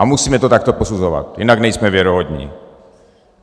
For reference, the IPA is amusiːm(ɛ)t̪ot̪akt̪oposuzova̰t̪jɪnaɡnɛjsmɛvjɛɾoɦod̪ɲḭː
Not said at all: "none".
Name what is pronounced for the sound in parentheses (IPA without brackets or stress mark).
ɛ